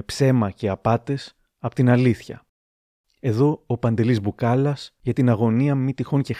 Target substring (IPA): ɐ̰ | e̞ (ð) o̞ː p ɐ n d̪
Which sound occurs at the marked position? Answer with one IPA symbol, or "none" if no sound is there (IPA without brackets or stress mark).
ð